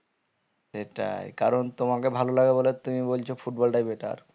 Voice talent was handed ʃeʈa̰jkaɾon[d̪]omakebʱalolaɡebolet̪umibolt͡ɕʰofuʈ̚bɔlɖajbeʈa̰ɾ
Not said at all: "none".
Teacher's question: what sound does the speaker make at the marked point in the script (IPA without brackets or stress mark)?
t̪